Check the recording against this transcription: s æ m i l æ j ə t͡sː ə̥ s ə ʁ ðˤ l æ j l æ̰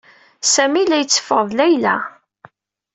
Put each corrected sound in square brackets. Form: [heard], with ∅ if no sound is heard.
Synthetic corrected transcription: s æ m i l æ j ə t͡sː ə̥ [f] ə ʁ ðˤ l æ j l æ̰